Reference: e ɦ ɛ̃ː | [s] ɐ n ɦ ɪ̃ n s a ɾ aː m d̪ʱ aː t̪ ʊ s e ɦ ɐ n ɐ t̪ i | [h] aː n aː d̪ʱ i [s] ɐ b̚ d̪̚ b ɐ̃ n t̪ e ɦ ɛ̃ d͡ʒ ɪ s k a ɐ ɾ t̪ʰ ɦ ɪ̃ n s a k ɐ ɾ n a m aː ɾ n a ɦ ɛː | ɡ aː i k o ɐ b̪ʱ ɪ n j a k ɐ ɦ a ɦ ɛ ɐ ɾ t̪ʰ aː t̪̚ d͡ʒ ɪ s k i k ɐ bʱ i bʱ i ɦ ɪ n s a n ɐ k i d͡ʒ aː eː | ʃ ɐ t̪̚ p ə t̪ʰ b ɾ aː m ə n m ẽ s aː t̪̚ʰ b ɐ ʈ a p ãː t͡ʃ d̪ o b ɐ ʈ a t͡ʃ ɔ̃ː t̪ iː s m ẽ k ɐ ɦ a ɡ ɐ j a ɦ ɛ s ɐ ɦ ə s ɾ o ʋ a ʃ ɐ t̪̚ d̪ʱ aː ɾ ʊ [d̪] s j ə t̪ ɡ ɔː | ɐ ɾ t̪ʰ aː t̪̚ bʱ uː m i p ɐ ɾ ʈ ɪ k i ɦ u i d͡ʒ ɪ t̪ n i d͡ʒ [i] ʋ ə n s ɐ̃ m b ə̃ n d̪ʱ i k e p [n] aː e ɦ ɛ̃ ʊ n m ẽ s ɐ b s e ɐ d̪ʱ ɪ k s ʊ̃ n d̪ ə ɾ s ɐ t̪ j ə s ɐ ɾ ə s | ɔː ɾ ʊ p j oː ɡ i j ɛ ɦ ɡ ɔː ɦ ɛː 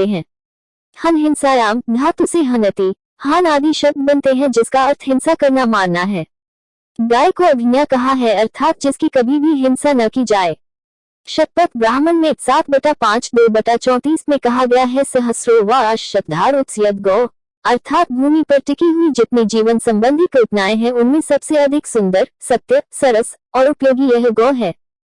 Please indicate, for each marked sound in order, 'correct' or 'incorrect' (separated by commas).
incorrect, correct, incorrect, incorrect, incorrect, correct